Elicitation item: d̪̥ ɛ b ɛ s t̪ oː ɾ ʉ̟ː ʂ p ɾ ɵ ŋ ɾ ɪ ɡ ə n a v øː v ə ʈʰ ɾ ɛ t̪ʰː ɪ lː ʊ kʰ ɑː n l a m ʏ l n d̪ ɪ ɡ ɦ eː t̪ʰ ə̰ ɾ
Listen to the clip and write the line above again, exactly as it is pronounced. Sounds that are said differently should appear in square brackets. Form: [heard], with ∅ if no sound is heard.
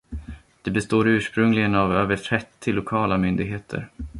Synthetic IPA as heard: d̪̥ ɛ b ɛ s t̪ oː ɾ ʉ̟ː ʂ p ɾ ɵ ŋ [l] ɪ ɡ ə n a v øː v ə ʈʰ ɾ ɛ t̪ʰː ɪ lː ʊ kʰ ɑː [∅] l a m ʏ [∅] n d̪ ɪ ɡ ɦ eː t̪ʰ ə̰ ɾ